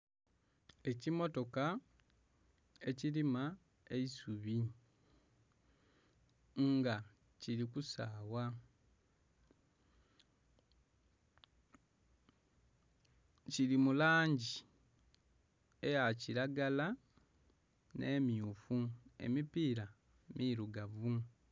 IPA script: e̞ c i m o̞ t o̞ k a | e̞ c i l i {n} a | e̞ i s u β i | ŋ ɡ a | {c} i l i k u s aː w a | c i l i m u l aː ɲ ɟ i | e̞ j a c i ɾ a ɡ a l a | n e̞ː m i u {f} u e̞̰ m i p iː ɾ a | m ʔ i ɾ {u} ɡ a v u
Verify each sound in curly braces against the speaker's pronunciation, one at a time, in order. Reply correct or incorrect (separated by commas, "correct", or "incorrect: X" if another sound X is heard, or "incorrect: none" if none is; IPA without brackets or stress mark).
incorrect: m, correct, correct, correct